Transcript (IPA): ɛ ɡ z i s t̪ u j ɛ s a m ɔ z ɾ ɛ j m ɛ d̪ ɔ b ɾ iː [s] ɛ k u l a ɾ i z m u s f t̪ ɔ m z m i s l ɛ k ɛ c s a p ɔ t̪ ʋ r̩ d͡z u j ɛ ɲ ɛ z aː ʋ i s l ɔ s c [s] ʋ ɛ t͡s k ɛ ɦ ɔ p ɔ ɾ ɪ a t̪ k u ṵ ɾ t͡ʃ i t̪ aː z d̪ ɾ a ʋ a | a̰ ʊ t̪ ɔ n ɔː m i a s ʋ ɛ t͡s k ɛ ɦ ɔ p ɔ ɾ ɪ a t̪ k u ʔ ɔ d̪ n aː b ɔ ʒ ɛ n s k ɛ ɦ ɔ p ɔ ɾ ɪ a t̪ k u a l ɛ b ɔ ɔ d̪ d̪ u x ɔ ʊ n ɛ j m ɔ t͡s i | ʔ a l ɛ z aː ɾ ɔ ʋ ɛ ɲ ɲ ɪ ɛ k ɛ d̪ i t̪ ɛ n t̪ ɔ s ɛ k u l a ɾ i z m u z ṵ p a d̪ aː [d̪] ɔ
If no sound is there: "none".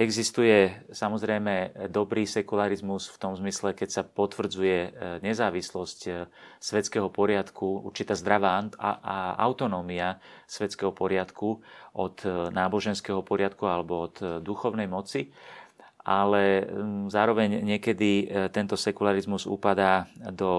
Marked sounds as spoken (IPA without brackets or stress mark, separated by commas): s, s, d̪